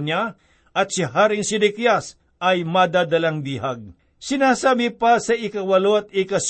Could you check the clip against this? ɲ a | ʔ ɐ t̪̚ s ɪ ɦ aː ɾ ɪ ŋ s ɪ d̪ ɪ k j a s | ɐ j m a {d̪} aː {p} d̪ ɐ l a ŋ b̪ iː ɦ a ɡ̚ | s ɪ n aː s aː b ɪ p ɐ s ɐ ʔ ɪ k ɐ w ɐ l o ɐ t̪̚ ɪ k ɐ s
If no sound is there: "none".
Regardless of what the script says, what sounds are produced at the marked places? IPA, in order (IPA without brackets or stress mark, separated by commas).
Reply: d̪, none